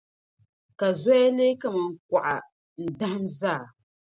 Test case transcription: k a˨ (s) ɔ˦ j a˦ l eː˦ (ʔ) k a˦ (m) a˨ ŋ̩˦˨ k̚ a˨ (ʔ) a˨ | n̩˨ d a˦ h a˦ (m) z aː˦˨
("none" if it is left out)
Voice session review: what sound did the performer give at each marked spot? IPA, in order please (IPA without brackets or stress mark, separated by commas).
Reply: z, none, m, ʔ, m